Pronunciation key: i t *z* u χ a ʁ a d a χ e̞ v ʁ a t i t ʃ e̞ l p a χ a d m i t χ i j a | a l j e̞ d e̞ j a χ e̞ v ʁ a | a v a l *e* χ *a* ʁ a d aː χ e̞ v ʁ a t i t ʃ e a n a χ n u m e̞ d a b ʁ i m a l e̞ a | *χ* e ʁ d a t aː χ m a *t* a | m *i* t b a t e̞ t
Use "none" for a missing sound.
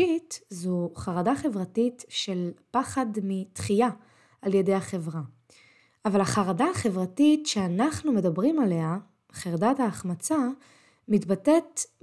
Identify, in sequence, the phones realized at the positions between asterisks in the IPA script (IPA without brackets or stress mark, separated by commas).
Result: z, a, a, χ, t͡s, i